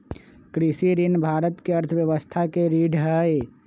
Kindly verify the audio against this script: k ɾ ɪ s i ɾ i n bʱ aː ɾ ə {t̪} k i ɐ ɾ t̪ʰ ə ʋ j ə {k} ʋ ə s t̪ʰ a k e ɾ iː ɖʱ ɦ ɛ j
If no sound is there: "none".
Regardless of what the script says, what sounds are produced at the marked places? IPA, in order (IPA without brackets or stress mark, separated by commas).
t̪, none